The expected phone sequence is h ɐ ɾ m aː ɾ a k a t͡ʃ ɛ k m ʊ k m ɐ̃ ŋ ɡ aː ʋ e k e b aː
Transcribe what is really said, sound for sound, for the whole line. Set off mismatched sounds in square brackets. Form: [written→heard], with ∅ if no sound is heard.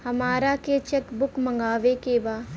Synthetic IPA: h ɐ [ɾ→∅] m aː ɾ a k [a→e] t͡ʃ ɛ k [m→b] ʊ k m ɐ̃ ŋ ɡ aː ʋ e k e b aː